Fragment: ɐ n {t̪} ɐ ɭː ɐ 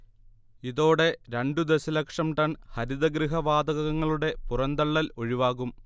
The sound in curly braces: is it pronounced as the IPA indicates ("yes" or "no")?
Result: no